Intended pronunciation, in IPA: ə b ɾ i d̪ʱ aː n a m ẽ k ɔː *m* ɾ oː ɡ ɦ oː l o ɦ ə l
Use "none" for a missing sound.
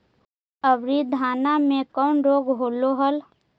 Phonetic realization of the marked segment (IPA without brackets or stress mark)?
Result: n